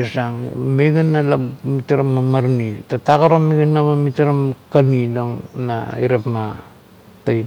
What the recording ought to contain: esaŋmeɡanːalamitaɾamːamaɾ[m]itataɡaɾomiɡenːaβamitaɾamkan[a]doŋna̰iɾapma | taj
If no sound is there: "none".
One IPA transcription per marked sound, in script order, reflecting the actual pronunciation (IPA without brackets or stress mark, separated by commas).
n, i